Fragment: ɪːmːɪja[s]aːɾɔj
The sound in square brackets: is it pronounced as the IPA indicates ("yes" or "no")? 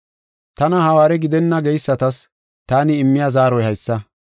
no